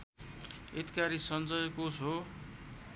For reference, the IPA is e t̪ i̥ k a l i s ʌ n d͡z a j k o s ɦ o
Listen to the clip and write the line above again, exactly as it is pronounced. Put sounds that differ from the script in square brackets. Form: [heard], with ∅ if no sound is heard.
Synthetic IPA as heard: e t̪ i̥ k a [ɾ] i s ʌ n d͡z [ʌ] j k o s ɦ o